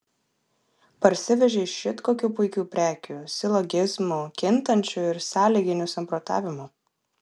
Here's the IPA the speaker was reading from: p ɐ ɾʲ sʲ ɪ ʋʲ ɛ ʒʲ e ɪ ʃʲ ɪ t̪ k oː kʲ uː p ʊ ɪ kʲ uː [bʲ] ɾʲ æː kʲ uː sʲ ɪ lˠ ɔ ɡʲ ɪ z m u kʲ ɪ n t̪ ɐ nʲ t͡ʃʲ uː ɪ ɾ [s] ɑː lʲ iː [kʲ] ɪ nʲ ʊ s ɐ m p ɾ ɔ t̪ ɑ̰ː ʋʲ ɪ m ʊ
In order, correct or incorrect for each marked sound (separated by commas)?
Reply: incorrect, correct, incorrect